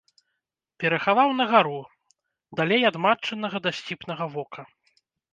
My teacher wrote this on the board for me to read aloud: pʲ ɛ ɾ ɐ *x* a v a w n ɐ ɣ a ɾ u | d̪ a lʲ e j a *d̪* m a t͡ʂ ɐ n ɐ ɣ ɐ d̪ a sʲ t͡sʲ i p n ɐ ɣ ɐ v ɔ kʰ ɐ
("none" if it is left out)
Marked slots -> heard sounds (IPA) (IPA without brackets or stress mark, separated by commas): x, d̪